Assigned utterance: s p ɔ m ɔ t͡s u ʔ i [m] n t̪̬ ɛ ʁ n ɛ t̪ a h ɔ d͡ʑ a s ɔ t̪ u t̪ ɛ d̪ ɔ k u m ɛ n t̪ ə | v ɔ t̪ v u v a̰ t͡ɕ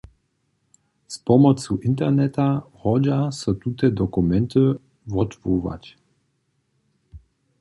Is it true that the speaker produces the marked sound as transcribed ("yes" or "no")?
no